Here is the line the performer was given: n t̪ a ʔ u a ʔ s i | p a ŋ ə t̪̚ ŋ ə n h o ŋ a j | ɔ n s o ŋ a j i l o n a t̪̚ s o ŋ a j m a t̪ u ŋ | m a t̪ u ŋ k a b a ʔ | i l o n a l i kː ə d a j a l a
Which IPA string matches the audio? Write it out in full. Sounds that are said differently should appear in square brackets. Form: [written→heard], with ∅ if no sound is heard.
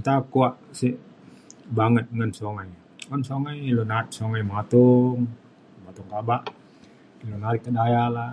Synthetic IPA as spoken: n t̪ a [ʔ→k] u a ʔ s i | [p→b] a ŋ ə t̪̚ ŋ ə n [h→s] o ŋ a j | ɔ n s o ŋ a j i l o n a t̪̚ s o ŋ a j m a t̪ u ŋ | m a t̪ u ŋ k a b a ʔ | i l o n a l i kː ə d a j a l a